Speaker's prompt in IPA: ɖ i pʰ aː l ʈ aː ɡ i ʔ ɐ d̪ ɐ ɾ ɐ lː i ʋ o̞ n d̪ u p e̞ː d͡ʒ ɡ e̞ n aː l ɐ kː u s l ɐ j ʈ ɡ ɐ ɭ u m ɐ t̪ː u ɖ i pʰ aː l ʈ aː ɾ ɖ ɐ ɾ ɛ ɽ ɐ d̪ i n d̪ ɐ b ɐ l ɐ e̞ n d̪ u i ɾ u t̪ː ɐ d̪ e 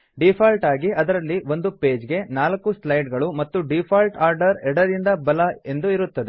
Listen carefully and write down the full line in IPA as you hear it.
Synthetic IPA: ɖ i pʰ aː l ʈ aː ɡ i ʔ ɐ d̪ ɐ ɾ ɐ lː i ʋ o̞ n d̪ u p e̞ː d͡ʒ ɡ e̞ n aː l ɐ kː u s l ɐ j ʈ ɡ ɐ ɭ u m ɐ t̪ː u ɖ i pʰ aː l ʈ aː ɾ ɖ ɐ ɾ ɛ ɽ ɐ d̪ i n d̪ ɐ b ɐ l ɐ e̞ n d̪ u i ɾ u t̪ː ɐ d̪ e